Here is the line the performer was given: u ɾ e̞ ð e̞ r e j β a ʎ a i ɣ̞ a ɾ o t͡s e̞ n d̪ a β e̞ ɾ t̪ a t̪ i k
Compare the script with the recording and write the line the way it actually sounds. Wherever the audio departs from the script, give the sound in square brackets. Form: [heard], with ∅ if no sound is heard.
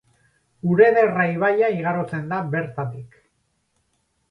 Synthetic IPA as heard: u ɾ e̞ ð e̞ r [a] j β a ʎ a i ɣ̞ a ɾ o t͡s e̞ n d̪ a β e̞ ɾ t̪ a t̪ i k